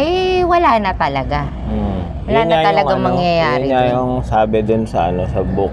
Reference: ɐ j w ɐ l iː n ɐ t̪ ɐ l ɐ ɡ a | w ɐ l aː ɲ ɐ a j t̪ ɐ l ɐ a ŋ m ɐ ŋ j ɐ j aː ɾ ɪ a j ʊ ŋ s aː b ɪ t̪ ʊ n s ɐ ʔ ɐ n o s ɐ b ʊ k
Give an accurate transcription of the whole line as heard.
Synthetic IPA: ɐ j w ɐ l aː n ɐ t̪ ɐ l ɐ ɡ a | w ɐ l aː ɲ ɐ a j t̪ ɐ l ɐ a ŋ m ɐ ŋ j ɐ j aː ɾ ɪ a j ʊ ŋ s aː b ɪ d̪ ʊ n s ɐ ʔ ɐ n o s ɐ b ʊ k